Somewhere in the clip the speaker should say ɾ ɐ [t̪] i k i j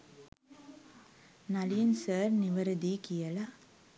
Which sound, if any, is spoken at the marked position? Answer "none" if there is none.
d̪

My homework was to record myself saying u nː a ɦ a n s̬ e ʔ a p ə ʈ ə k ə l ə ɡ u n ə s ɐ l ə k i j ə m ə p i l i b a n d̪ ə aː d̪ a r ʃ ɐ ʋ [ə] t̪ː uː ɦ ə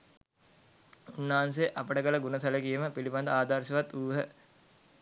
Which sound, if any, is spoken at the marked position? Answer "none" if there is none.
a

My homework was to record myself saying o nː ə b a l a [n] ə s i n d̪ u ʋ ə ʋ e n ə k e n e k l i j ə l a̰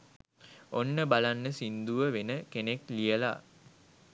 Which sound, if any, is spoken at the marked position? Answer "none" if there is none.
nː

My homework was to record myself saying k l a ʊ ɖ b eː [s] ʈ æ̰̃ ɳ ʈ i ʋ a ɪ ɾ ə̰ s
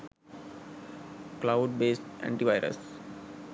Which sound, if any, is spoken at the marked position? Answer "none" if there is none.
s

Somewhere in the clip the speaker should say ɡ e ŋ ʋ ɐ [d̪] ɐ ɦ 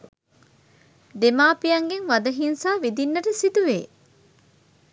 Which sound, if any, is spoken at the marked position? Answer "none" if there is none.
d̪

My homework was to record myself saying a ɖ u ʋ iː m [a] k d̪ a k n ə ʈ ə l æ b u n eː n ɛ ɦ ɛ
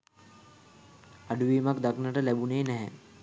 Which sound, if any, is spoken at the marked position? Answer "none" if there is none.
a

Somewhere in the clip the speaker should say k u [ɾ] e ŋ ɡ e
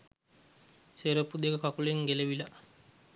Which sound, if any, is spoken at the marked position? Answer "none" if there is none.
l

